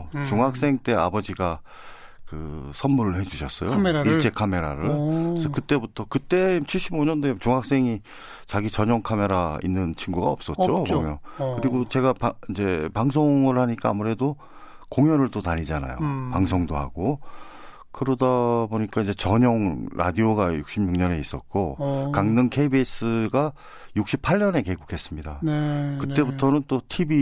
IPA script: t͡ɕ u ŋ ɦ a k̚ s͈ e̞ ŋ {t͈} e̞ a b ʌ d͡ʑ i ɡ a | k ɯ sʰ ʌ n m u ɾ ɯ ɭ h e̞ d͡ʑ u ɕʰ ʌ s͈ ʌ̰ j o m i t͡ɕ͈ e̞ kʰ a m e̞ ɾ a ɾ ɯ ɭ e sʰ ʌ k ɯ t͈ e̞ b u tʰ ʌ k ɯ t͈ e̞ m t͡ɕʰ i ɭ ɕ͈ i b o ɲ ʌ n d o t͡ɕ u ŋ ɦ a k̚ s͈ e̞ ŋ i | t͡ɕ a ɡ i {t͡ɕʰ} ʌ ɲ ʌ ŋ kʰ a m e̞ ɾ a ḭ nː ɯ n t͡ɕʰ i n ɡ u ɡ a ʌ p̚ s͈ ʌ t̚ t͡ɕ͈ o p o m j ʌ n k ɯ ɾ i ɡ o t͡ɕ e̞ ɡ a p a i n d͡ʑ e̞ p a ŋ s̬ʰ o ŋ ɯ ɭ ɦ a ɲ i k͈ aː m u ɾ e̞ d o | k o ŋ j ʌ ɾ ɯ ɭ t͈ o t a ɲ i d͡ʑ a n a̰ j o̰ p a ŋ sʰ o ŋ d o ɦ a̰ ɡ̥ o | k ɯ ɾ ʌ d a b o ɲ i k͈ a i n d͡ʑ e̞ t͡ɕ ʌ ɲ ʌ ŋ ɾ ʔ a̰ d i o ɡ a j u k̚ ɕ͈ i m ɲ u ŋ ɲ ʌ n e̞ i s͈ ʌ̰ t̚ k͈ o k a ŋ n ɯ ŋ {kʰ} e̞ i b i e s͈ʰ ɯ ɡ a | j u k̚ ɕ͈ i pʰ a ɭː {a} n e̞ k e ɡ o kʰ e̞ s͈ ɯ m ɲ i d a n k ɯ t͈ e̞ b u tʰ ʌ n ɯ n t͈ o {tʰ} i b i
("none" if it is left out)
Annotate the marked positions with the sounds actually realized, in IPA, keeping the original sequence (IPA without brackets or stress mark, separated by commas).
t͈, t͡ɕ, kʰ, ʌ, tʰ